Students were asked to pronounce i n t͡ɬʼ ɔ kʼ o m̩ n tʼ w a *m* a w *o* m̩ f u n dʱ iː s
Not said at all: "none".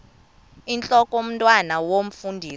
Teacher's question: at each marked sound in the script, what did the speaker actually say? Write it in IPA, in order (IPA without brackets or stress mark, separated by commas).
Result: n, o